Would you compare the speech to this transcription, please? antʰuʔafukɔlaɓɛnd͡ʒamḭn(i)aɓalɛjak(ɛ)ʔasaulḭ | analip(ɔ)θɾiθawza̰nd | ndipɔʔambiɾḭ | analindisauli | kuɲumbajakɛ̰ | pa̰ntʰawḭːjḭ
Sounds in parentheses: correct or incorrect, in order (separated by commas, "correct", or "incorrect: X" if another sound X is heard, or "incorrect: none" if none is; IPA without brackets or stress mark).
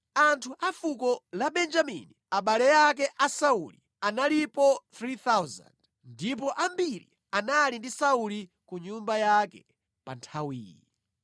correct, correct, correct